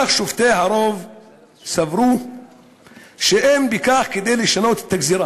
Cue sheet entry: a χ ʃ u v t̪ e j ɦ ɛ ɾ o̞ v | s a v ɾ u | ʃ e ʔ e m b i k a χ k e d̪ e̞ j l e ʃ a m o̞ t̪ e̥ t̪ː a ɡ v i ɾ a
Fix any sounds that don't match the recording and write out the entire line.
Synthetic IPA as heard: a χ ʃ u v t̪ e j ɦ a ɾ o̞ v | s a v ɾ u | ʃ e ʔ e m b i k a χ k e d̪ e̞ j l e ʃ a n o̞ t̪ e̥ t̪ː a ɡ z i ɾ a